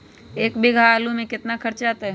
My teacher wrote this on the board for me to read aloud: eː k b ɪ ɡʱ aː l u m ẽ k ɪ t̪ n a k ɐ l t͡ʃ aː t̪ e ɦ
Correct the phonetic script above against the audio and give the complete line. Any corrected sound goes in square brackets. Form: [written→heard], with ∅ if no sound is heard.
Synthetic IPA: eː k b ɪ ɡʱ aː l u m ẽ k ɪ t̪ n a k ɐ [l→ɾ] t͡ʃ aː t̪ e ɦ